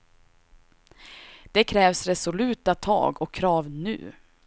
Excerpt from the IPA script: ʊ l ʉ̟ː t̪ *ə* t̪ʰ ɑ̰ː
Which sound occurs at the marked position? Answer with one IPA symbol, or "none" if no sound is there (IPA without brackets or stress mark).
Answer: a